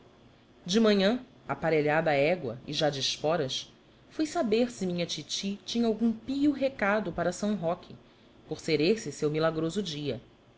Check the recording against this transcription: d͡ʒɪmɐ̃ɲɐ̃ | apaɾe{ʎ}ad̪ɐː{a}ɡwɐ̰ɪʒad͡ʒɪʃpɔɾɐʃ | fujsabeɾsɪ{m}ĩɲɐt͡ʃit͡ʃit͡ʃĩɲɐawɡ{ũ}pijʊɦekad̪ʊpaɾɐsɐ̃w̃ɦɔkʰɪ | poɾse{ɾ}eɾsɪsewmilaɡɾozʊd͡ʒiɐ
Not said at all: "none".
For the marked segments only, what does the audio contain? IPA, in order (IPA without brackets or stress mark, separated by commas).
ʎ, ɛ, m, ũ, ɾ